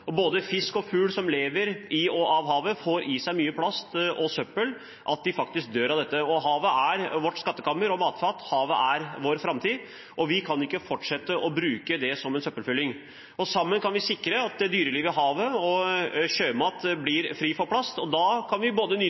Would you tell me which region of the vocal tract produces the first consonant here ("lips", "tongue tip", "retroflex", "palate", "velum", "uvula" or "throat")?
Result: lips